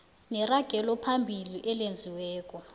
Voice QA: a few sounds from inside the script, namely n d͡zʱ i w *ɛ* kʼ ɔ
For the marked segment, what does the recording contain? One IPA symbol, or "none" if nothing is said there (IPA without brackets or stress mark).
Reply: ɛː